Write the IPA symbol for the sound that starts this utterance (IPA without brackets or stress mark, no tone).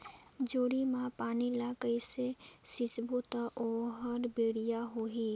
d͡ʒ